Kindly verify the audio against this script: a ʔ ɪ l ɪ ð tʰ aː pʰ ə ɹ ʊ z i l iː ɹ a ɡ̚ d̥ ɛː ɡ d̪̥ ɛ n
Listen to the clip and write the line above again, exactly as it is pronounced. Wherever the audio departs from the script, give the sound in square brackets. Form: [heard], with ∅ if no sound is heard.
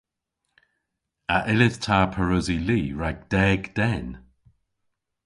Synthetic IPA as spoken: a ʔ ɪ l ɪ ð tʰ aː pʰ ə ɹ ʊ z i l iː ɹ a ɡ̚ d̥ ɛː ɡ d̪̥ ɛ n